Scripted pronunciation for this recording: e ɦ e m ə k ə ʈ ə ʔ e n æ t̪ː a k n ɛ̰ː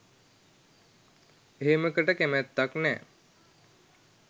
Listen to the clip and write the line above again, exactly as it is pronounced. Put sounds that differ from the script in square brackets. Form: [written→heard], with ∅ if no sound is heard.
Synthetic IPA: e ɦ e m ə k ə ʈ ə [ʔ→k] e [n→m] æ t̪ː a k n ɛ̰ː